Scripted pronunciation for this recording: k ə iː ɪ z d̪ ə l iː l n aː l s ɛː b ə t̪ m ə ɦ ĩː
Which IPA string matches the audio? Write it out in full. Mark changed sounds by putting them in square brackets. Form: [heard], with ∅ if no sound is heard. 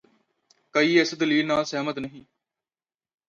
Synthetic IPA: k ə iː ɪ [s] d̪ ə l iː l n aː l s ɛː [m] ə t̪ [n] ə ɦ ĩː